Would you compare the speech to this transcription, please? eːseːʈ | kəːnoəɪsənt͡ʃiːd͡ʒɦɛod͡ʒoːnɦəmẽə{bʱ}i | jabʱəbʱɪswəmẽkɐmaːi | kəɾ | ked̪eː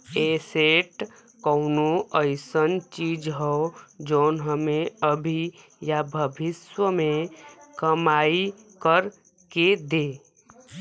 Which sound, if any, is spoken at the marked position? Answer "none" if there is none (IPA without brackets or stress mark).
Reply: bʱ